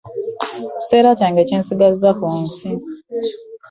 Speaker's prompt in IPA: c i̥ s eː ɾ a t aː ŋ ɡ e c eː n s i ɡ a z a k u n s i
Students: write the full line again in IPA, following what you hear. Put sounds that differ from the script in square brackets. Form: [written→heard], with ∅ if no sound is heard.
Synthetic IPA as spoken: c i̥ s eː ɾ a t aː ŋ ɡ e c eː n s i ɡ a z a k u n s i